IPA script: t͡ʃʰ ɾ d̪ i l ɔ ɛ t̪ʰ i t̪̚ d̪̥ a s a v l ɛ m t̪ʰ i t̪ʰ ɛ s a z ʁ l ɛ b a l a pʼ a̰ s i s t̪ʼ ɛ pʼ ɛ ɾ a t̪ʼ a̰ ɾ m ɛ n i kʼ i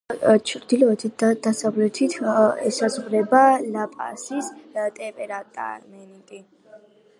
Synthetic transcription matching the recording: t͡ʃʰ ɾ d̪ i l ɔ ɛ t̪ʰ i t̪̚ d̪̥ a s a v l ɛ t̪ʰ i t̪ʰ ɛ s a z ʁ ɾ ɛ b a l a pʼ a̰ s i s t̪ʼ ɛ pʼ ɛ ɾ a t̪ʼ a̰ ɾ m ɛ n i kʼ i